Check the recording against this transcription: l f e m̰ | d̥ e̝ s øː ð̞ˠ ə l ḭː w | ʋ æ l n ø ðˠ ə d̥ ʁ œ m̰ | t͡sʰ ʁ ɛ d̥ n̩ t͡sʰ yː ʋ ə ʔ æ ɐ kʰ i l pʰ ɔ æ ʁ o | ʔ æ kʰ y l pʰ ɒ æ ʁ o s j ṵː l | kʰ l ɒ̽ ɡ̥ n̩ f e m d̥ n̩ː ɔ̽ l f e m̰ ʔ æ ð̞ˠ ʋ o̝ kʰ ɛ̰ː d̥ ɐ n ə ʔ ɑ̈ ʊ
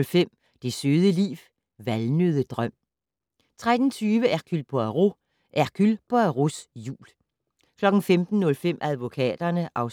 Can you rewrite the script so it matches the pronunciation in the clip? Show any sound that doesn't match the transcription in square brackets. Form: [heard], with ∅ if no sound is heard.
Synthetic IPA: l f e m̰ | d̥ e̝ s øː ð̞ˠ ə l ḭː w | ʋ æ l n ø ðˠ ə d̥ ʁ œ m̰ | t͡sʰ ʁ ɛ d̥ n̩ t͡sʰ yː ʋ ə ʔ æ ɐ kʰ [y] l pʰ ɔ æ ʁ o | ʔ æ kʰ y l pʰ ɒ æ ʁ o s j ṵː l | kʰ l ɒ̽ ɡ̥ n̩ f e m d̥ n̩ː ɔ̽ l f e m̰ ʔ æ ð̞ˠ ʋ o̝ kʰ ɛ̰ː d̥ ɐ n ə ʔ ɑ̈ ʊ

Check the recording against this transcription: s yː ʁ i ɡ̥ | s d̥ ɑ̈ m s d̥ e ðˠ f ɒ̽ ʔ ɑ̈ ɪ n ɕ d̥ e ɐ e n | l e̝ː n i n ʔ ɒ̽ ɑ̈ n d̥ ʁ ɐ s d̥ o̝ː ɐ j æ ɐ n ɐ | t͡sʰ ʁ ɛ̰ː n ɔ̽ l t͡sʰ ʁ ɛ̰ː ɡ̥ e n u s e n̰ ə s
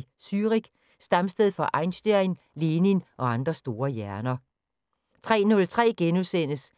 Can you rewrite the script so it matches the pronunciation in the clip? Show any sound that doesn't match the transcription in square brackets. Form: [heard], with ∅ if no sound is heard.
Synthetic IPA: s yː ʁ i ɡ̥ | s d̥ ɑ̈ m s d̥ e ðˠ f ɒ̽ ʔ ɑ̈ ɪ n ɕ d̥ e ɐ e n | l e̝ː n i n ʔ ɒ̽ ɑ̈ n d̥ ʁ ɐ s d̥ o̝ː ɐ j æ ɐ n ɐ | t͡sʰ ʁ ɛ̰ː n ɔ̽ l t͡sʰ ʁ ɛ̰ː ɡ̥ e n u s e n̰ ə s

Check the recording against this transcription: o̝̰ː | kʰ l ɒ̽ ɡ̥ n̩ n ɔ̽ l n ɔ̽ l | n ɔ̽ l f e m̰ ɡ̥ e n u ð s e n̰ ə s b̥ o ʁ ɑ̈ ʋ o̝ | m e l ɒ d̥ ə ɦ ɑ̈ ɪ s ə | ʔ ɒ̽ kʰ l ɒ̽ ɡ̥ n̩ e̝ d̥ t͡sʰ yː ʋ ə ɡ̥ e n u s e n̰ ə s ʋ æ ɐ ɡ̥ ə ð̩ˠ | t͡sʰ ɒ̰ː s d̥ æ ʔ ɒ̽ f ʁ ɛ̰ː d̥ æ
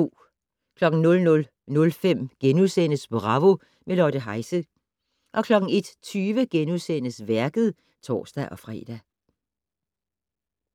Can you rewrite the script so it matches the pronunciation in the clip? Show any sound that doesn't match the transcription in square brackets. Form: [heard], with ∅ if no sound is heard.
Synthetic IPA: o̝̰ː | kʰ l ɒ̽ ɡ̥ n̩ n ɔ̽ l n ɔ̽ l | n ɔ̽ l f e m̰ ɡ̥ e n u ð s e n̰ ə s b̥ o ʁ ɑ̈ ʋ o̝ | m e l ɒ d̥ ə ɦ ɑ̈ ɪ s ə | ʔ ɒ̽ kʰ l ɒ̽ ɡ̥ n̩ e̝ d̥ t͡sʰ yː ʋ ə ɡ̥ e n u s e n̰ ə s ʋ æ ɐ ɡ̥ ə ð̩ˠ | t͡sʰ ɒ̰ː s d̥ æ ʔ ɒ̽ f ʁ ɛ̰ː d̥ æ

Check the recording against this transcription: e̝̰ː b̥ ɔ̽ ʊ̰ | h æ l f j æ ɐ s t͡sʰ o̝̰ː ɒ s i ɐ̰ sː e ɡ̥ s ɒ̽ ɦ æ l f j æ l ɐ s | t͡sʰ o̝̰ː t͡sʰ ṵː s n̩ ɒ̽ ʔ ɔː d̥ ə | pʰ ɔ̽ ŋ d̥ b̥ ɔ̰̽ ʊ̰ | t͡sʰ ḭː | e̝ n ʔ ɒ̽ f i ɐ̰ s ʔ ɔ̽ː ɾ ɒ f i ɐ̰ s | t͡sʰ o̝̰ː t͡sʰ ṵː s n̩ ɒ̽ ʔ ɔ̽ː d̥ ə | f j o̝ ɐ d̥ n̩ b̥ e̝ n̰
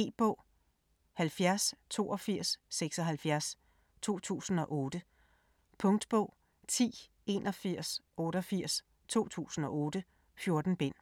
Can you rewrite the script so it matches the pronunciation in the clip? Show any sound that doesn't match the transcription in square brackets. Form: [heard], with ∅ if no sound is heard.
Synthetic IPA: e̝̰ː b̥ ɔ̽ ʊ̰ | h æ l f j æ ɐ s t͡sʰ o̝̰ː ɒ [f] i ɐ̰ sː e ɡ̥ s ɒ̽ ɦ æ l f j æ [∅] ɐ s | t͡sʰ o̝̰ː t͡sʰ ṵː s n̩ ɒ̽ ʔ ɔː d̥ ə | pʰ ɔ̽ ŋ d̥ b̥ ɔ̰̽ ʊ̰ | t͡sʰ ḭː | e̝ n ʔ ɒ̽ f i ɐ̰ s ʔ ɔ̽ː ɾ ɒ f i ɐ̰ s | t͡sʰ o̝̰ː t͡sʰ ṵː s n̩ ɒ̽ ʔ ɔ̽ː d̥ ə | f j o̝ ɐ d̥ n̩ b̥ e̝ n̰

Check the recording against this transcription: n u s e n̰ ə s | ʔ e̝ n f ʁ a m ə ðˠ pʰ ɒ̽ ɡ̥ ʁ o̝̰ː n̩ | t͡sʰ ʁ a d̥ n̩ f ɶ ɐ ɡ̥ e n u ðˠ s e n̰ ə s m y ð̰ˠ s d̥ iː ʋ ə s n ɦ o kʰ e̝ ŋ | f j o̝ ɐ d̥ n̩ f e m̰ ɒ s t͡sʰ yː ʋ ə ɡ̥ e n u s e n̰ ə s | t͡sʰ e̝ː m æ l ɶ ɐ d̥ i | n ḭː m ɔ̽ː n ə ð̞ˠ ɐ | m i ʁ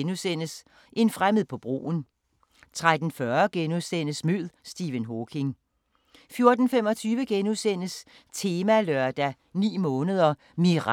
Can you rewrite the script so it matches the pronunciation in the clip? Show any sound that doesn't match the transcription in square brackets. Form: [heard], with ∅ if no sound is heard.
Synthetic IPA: n u s e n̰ ə s | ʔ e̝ n f ʁ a m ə ðˠ pʰ ɒ̽ [b̥] ʁ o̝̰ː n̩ | t͡sʰ ʁ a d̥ n̩ f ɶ ɐ ɡ̥ e n u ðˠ s e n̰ ə s m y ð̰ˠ s d̥ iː ʋ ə [∅] n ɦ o kʰ e̝ ŋ | f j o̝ ɐ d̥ n̩ f e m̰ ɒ [∅] t͡sʰ yː ʋ ə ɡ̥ e n u s e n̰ ə s | t͡sʰ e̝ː m æ l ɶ ɐ d̥ [æ] | n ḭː m ɔ̽ː n ə ð̞ˠ ɐ | m i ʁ

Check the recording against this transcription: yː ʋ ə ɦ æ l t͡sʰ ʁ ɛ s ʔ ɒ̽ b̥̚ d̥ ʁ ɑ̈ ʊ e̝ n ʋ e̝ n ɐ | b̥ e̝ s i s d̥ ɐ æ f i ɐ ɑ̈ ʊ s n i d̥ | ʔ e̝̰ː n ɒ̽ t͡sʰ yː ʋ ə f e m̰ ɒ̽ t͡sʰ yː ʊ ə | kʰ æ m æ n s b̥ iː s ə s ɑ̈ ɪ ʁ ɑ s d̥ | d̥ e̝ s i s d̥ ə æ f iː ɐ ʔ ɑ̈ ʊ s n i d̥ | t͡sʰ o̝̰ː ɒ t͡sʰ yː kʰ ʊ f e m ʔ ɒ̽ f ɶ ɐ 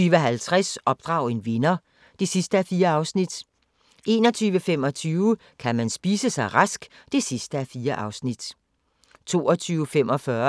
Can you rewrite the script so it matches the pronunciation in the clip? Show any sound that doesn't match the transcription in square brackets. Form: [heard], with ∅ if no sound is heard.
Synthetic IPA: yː ʋ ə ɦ æ l t͡sʰ ʁ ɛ s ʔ ɒ̽ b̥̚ d̥ ʁ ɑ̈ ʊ e̝ n ʋ e̝ n ɐ | [d̥] e̝ s i s d̥ [ə] æ f [iː] ɐ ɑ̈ ʊ s n i d̥ | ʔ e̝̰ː n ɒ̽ t͡sʰ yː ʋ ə f e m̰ ɒ̽ t͡sʰ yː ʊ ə | kʰ æ m æ n s b̥ iː s ə s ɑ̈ ɪ ʁ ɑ s [ɡ̥] | d̥ e̝ s i s d̥ ə æ f iː ɐ ʔ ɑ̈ ʊ s n i d̥ | t͡sʰ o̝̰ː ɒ t͡sʰ yː [∅] ʊ f e m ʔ ɒ̽ f ɶ ɐ

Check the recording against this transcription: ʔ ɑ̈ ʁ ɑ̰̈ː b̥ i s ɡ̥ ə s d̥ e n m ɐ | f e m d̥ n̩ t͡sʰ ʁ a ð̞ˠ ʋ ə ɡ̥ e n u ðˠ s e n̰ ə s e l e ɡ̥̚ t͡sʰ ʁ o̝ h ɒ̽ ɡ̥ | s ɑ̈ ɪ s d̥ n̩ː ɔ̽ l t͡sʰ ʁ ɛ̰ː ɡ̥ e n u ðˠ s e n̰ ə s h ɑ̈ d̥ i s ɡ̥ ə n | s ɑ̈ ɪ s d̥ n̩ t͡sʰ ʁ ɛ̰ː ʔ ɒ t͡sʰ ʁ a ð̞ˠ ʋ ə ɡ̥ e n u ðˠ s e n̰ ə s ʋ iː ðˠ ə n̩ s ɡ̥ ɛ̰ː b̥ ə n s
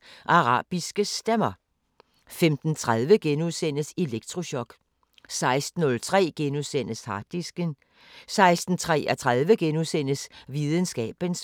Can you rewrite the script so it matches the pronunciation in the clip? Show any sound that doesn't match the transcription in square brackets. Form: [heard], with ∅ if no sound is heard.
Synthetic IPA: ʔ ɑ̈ ʁ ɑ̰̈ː b̥ i s ɡ̥ ə s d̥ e [∅] m ɐ | f e m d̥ n̩ t͡sʰ ʁ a ð̞ˠ ʋ ə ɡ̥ e n u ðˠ s e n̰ ə s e l e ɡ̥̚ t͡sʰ ʁ o̝ [ɕ] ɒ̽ ɡ̥ | s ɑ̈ ɪ s d̥ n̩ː ɔ̽ l t͡sʰ ʁ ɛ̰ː ɡ̥ e n u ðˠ s e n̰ ə s h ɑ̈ d̥ i s ɡ̥ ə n | s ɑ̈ ɪ s d̥ n̩ t͡sʰ ʁ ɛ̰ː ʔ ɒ t͡sʰ ʁ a ð̞ˠ ʋ ə ɡ̥ e n u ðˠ s e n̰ ə s ʋ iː ðˠ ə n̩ s ɡ̥ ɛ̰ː b̥ ə n s

